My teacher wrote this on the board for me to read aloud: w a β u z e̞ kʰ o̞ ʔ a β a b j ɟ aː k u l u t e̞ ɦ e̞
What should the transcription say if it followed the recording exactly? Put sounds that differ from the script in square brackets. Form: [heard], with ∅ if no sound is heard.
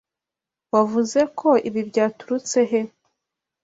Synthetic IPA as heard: w a [v] u z e̞ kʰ o̞ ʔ [i] β [i] b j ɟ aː [t] u [ɾ] u [t͡s] e̞ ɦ e̞